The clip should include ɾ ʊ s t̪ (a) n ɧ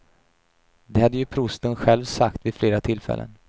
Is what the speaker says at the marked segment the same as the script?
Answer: no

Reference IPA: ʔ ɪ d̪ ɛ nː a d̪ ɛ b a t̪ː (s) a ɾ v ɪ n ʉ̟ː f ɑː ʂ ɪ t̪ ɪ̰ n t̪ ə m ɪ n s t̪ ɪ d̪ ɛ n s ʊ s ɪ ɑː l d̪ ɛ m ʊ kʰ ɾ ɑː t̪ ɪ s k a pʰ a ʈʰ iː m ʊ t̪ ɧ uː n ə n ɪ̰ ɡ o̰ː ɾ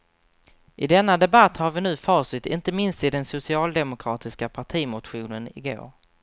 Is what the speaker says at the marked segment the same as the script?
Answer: no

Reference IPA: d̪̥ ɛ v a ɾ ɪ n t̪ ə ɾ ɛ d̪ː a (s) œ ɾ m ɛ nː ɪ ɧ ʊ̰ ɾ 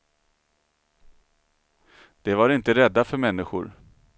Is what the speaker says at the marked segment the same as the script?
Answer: no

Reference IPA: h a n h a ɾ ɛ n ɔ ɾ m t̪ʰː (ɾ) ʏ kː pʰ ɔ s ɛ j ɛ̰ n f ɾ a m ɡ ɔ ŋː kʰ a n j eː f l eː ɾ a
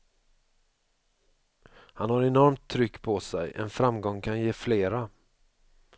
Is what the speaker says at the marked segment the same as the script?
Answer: yes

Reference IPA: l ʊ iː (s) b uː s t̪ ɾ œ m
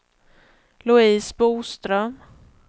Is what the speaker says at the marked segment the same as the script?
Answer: yes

